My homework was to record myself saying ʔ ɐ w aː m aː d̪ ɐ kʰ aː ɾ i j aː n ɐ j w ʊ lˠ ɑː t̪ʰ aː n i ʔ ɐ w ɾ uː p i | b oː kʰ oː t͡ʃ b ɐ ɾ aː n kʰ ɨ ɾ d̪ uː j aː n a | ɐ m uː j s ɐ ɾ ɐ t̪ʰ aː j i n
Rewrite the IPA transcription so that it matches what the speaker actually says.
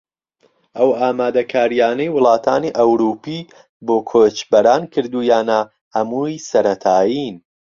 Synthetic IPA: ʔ ɐ w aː m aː d̪ ɐ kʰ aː ɾ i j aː n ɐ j w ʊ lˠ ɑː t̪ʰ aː n i ʔ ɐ w ɾ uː p i | b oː kʰ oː t͡ʃ b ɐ ɾ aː n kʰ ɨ ɾ d̪ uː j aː n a | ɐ m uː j s ɐ ɾ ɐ t̪ʰ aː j i n

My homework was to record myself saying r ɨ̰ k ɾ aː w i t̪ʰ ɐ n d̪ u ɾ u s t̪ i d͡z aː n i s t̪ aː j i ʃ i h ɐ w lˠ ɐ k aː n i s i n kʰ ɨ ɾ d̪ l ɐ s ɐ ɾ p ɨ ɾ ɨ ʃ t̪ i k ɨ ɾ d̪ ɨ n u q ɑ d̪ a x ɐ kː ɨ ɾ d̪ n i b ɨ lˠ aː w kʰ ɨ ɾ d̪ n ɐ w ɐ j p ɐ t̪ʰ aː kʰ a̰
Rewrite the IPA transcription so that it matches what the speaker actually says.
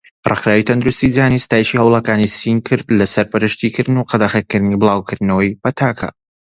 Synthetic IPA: r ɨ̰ x ɾ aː w i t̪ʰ ɐ n d̪ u ɾ u s t̪ i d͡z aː n i s t̪ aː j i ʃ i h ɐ w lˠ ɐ k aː n i s i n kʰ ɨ ɾ d̪ l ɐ s ɐ ɾ p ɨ ɾ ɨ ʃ t̪ i k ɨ ɾ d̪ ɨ n u q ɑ d̪ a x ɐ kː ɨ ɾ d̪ n i b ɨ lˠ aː w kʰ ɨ ɾ d̪ n ɐ w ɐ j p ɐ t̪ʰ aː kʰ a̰

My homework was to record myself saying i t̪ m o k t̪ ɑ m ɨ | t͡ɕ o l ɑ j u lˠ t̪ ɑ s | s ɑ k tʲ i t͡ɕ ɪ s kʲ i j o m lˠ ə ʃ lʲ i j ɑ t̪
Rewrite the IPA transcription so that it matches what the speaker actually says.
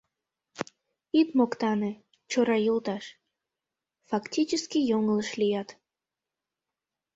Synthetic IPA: i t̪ m o k t̪ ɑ n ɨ | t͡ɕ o ɾ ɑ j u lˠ t̪ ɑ ʃ | f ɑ k tʲ i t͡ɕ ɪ s kʲ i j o ŋ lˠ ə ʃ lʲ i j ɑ t̪

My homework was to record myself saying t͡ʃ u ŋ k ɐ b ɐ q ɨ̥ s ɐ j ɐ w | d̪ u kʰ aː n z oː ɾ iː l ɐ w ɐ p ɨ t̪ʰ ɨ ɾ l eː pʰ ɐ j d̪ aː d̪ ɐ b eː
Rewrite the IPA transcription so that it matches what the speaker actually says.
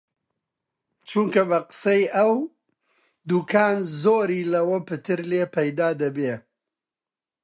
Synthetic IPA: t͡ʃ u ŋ k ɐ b ɐ q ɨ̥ s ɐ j ɐ w | d̪ u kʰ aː n z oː ɾ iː l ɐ w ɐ p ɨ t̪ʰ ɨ ɾ l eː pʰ ɐ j d̪ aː d̪ ɐ b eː

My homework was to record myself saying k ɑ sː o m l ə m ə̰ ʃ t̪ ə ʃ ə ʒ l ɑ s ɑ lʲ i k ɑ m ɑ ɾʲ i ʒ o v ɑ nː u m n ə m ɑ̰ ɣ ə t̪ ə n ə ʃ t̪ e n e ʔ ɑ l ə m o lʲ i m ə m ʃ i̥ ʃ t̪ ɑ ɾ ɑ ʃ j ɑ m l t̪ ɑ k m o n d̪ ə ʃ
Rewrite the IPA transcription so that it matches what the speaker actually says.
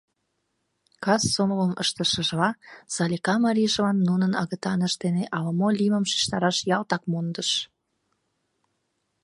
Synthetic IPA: k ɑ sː o m l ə m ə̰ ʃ t̪ ə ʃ ə ʒ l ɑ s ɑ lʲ i k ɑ m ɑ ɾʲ i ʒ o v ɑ nː u n ə n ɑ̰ ɣ ə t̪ ɑ n ə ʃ t̪ e n e ʔ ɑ l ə m o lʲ i m ə m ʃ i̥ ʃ t̪ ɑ ɾ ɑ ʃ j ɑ l t̪ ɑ k m o n d̪ ə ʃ

